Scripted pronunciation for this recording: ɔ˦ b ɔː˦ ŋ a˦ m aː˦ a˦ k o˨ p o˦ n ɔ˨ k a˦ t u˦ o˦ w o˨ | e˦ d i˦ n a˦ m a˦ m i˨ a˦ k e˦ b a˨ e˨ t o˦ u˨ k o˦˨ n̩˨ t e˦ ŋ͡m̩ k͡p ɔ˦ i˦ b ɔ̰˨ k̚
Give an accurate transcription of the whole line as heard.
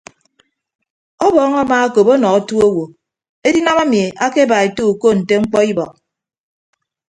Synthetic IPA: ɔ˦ b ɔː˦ ŋ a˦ m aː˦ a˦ k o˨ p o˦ n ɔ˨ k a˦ t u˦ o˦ w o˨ | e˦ d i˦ n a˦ m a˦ m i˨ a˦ k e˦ b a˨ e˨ t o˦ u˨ k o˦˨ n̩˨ t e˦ ŋ͡m̩ k͡p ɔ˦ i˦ b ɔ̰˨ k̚